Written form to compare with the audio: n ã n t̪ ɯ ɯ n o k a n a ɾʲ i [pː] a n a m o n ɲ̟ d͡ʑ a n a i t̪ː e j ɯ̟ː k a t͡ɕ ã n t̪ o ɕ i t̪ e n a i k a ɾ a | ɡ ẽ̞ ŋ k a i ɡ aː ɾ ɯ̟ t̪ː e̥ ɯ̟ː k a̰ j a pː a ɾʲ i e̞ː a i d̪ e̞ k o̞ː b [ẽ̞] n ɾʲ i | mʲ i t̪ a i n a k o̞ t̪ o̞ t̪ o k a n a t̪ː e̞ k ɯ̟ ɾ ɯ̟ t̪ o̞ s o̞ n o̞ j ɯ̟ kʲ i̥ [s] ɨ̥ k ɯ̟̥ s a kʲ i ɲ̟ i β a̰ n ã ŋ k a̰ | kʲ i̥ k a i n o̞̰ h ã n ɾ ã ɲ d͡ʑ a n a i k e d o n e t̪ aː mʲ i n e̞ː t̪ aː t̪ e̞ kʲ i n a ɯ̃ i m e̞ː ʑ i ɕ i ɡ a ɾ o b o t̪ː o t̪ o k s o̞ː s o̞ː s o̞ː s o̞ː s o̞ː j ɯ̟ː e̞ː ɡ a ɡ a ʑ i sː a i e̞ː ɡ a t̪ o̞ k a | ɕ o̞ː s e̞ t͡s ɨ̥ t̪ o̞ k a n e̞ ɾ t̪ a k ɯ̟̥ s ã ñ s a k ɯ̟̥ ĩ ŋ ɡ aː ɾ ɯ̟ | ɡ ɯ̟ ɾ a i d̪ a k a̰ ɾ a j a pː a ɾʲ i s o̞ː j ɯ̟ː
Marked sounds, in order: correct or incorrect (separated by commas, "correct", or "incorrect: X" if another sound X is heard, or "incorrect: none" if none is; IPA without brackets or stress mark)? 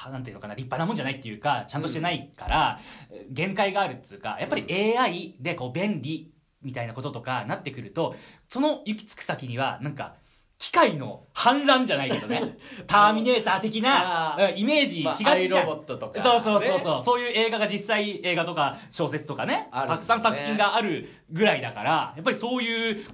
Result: correct, correct, incorrect: t͡s